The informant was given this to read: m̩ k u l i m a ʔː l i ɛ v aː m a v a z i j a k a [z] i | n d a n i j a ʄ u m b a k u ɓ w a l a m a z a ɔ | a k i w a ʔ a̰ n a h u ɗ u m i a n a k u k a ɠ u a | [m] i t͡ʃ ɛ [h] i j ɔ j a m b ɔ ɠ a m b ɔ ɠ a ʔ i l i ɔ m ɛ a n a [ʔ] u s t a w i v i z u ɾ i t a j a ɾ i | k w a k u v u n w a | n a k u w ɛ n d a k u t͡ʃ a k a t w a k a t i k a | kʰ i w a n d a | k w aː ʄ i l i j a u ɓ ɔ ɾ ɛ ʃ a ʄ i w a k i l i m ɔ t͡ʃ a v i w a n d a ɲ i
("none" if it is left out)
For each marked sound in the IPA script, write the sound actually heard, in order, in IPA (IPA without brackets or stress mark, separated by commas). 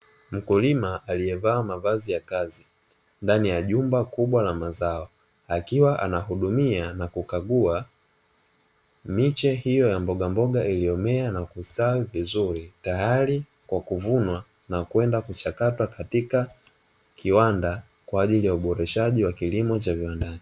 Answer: z, m, h, k